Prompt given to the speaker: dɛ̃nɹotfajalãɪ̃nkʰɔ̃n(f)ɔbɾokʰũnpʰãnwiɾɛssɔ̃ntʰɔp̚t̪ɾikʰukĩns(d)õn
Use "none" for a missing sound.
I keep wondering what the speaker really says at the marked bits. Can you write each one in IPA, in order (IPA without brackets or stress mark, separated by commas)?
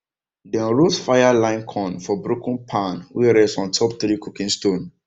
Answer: f, t